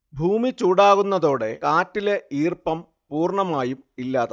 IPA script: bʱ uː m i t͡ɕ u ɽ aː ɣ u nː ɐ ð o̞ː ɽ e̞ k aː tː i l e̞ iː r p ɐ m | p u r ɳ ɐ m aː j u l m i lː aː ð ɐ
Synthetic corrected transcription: bʱ uː m i t͡ɕ uː ɽ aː ɣ u nː ɐ ð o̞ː ɽ e̞ k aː tː i l e̞ iː r p ɐ m | p uː r ɳ ɐ m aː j u m i lː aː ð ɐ

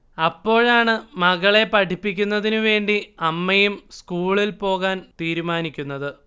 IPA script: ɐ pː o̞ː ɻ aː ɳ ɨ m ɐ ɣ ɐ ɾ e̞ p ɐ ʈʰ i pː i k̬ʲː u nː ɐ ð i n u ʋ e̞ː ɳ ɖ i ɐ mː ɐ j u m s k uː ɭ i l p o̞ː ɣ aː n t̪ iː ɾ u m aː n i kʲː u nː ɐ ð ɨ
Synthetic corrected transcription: ɐ pː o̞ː ɻ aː ɳ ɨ m ɐ ɣ ɐ ɭ e̞ p ɐ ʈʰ i pː i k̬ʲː u nː ɐ ð i n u ʋ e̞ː ɳ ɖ i ɐ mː ɐ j u m s k uː ɭ i l p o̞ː ɣ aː n t̪ iː ɾ u m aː n i kʲː u nː ɐ ð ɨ

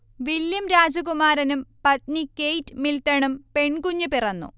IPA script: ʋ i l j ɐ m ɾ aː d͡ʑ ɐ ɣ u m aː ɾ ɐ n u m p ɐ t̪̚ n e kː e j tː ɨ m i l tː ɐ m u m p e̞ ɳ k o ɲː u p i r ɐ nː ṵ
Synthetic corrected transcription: ʋ i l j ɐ m ɾ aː d͡ʑ ɐ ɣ u m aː ɾ ɐ n u m p ɐ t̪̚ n i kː e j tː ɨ m i l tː ɐ ɳ u m p e̞ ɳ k u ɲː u p i r ɐ nː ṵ

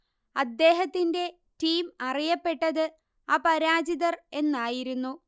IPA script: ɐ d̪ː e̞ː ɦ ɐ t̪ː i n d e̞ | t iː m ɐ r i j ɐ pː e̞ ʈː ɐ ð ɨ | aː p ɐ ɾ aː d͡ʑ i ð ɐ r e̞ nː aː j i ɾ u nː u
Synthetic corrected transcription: ɐ d̪ː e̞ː ɦ ɐ t̪ː i n d e̞ | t iː m ɐ r i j ɐ pː e̞ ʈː ɐ ð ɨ | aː p ɐ ɾ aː d͡ʑ i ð ɐ r e̞ nː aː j i ɾ u nː u

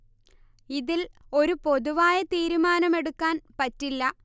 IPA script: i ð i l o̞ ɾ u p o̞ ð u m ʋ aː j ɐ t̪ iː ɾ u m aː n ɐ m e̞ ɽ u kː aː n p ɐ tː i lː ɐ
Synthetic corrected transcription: i ð i l o̞ ɾ u p o̞ ð u ʋ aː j ɐ t̪ iː ɾ u m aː n ɐ m e̞ ɽ u kː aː n p ɐ tː i lː ɐ

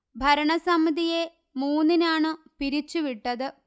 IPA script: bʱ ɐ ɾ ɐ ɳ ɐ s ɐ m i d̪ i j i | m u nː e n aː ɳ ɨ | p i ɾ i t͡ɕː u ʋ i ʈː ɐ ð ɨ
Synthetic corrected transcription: bʱ ɐ ɾ ɐ ɳ ɐ s ɐ m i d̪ i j e | m uː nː i n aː ɳ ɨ | p i ɾ i t͡ɕː u ʋ i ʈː ɐ ð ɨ

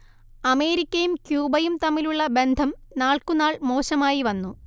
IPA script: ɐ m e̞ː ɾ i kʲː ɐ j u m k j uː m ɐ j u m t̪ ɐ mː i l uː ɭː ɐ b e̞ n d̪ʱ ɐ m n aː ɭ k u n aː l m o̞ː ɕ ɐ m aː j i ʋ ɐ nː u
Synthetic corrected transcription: ɐ m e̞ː ɾ i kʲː ɐ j u m k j uː b ɐ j u m t̪ ɐ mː i l u ɭː ɐ b e̞ n d̪ʱ ɐ m n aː ɭ k u n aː ɭ m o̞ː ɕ ɐ m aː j i ʋ ɐ nː u

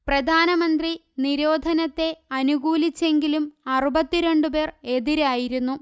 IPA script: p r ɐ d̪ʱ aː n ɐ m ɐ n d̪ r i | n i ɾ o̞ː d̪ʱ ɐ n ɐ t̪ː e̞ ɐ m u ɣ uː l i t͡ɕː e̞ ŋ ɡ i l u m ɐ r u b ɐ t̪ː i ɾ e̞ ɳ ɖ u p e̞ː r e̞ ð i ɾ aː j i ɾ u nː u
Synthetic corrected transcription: p r ɐ d̪ʱ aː n ɐ m ɐ n d̪ r i | n i ɾ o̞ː d̪ʱ ɐ n ɐ t̪ː e̞ ɐ n u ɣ uː l i t͡ɕː e̞ ŋ ɡ i l u m ɐ r u b ɐ t̪ː i ɾ e̞ ɳ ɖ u p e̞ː r e̞ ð i ɾ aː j i ɾ u nː u

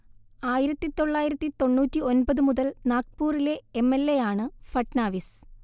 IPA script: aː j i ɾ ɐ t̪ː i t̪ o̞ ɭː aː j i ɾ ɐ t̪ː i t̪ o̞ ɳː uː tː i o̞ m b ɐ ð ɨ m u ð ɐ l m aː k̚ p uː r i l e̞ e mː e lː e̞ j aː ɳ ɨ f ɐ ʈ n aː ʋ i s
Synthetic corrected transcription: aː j i ɾ ɐ t̪ː i t̪ o̞ ɭː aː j i ɾ ɐ t̪ː i t̪ o̞ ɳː uː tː i o̞ n b ɐ ð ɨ m u ð ɐ l n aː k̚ p uː r i l e̞ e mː e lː e̞ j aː ɳ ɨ f ɐ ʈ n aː ʋ i s

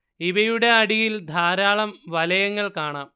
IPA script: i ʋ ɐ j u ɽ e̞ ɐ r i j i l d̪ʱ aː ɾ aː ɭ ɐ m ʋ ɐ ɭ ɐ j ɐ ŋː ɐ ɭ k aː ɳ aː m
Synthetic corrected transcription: i ʋ ɐ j u ɽ e̞ ɐ ɽ i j i l d̪ʱ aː ɾ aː ɭ ɐ m ʋ ɐ l ɐ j ɐ ŋː ɐ ɭ k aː ɳ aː m

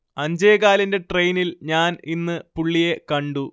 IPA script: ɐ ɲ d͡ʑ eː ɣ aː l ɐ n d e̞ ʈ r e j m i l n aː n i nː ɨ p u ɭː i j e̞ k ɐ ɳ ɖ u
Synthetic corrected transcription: ɐ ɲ d͡ʑ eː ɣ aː l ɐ n d e̞ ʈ r e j n i l ɲ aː n i nː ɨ p u ɭː i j e̞ k ɐ ɳ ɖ u

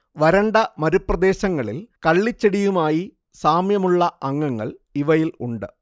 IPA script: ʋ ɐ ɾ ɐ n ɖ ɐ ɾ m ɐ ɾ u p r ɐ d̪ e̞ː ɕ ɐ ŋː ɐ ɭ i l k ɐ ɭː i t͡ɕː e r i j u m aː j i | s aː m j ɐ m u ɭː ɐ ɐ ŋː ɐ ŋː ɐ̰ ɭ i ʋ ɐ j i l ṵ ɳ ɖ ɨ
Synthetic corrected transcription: ʋ ɐ ɾ ɐ ɳ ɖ ɐ m ɐ ɾ u p r ɐ d̪ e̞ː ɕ ɐ ŋː ɐ ɭ i l k ɐ ɭː i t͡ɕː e ɽ i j u m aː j i | s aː m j ɐ m u ɭː ɐ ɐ ŋː ɐ ŋː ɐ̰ ɭ i ʋ ɐ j i l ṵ ɳ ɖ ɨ

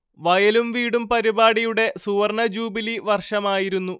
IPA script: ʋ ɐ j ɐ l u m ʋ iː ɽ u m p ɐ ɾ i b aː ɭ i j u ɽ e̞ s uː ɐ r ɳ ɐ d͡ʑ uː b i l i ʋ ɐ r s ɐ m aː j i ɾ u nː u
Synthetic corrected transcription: ʋ ɐ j ɐ l u m ʋ iː ɽ u m p ɐ ɾ i b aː ɽ i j u ɽ e̞ s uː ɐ r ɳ ɐ d͡ʑ uː b i l i ʋ ɐ r ʂ ɐ m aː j i ɾ u nː u

